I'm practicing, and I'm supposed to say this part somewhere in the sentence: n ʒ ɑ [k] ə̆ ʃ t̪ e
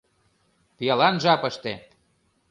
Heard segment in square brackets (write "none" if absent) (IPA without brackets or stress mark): p